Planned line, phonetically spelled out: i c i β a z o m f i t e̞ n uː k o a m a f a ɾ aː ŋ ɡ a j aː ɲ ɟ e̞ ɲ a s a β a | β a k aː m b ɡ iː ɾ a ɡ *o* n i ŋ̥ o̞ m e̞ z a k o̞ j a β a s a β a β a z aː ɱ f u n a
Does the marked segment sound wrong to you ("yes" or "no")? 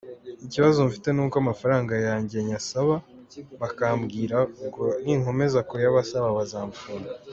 no